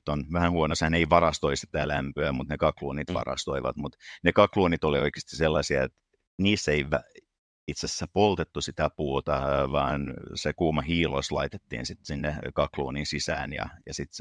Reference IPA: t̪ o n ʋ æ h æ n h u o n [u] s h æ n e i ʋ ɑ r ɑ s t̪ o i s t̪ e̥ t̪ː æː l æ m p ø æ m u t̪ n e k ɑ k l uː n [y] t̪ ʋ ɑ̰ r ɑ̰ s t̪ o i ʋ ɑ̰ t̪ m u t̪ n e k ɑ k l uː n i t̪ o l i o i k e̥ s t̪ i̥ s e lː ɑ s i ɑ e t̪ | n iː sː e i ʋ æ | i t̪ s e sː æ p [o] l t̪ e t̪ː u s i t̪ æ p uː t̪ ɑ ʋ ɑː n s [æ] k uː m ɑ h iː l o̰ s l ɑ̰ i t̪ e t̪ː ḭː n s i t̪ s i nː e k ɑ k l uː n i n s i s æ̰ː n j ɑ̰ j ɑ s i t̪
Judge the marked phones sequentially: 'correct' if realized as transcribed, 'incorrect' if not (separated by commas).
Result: incorrect, incorrect, correct, incorrect